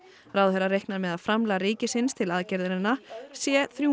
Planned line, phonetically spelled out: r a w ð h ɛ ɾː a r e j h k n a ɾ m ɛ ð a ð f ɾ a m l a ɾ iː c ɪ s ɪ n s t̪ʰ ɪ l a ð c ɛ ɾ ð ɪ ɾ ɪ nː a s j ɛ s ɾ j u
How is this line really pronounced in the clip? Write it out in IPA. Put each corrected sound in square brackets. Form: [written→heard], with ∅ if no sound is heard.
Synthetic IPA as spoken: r a w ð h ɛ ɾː a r e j h k n a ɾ m ɛ ð a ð f ɾ a m l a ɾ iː c ɪ s ɪ n s t̪ʰ ɪ l a ð c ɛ ɾ ð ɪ ɾ ɪ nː a s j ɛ [s→θ] ɾ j u